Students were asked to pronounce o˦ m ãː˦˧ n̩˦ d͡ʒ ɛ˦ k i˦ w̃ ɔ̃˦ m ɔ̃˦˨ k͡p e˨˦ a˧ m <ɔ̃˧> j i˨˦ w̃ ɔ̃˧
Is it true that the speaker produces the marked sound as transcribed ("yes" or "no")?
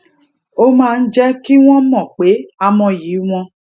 yes